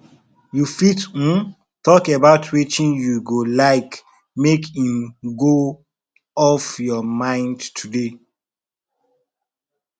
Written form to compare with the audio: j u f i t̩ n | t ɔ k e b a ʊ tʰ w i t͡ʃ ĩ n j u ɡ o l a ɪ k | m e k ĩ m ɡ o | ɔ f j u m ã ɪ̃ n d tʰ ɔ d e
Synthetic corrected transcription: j u f i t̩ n | t ɔ k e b a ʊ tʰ w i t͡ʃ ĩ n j u ɡ o l a ɪ k | m e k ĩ m ɡ o | ɔ f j ɔ m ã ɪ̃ n d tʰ u d e